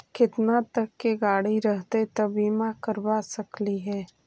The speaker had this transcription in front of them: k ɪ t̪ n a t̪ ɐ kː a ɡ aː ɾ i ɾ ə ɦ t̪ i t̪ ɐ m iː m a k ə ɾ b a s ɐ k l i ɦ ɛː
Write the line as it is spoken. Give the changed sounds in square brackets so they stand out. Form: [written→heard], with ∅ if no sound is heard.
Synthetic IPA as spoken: k ɪ t̪ n a t̪ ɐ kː [a→e] ɡ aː [ɾ→ɽ] i ɾ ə ɦ t̪ [i→e] t̪ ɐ [m→b] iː m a k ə ɾ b a s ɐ k l i ɦ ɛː